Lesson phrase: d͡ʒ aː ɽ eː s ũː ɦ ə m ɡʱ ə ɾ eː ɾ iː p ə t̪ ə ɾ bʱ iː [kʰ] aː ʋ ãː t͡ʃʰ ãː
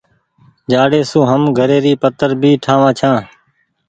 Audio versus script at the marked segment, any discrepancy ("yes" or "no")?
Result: yes